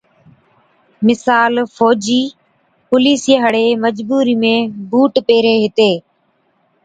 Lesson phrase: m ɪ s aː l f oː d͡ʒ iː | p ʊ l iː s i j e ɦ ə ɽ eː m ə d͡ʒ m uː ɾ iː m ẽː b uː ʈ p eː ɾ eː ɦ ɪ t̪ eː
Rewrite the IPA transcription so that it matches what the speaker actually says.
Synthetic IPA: m ɪ s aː l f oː d͡ʒ iː | p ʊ l iː s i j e ɦ ə ɽ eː m ə d͡ʒ b uː ɾ iː m ẽː b uː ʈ p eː ɾ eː ɦ ɪ t̪ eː